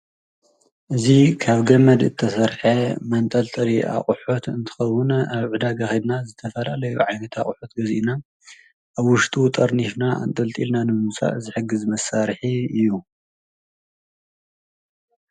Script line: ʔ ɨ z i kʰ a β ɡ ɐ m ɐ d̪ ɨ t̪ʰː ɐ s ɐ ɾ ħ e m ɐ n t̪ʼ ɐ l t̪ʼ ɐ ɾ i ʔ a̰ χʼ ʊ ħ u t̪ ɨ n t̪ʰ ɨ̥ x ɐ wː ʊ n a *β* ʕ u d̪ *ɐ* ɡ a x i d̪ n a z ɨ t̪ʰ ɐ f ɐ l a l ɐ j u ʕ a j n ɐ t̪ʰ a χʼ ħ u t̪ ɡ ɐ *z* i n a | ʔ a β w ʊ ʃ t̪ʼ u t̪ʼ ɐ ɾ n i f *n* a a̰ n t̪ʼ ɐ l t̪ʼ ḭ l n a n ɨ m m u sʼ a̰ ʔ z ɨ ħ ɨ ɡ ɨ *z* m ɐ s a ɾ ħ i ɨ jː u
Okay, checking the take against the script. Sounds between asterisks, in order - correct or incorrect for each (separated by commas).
correct, incorrect, correct, correct, correct